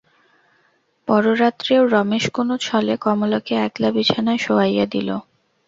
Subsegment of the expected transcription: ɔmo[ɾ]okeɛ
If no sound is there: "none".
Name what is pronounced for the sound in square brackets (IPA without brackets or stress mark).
l